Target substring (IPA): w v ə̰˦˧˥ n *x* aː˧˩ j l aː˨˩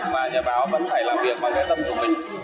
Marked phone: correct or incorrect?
incorrect